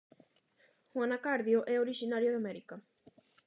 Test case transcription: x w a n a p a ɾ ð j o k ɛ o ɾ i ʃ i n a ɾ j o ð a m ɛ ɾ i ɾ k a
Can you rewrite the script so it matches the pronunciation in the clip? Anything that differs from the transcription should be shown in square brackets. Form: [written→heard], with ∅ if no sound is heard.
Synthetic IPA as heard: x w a n a [p→k] a ɾ ð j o [k→ʔ] ɛ o ɾ i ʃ i n a ɾ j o ð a m ɛ ɾ i [ɾ→∅] k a